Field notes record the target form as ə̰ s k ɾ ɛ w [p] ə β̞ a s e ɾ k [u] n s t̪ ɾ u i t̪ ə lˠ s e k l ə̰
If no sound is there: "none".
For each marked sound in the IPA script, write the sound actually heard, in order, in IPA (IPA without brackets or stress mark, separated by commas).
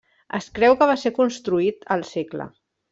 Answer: k, u